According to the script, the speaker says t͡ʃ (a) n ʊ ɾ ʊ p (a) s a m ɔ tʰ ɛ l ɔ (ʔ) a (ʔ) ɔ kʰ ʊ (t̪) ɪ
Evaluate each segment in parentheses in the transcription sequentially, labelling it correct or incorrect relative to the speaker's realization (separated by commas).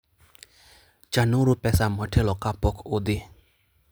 correct, incorrect, incorrect, incorrect, incorrect